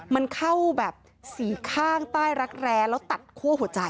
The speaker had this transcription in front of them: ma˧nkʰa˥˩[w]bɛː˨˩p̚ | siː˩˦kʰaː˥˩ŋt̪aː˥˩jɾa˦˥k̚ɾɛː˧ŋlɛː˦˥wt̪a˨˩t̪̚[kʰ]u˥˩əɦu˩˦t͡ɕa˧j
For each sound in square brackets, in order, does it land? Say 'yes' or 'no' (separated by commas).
yes, yes